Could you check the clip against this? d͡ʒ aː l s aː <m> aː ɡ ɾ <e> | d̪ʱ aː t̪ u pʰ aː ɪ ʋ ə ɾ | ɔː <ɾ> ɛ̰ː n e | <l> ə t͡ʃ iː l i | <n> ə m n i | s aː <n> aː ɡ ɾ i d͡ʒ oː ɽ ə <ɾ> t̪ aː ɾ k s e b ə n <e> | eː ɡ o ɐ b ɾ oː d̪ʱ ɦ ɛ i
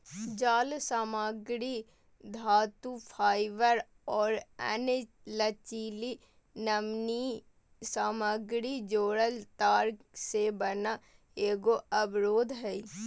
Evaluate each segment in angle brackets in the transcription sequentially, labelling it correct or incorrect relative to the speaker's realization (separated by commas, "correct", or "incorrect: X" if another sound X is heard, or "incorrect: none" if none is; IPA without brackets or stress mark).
correct, incorrect: i, correct, correct, correct, incorrect: m, incorrect: l, incorrect: a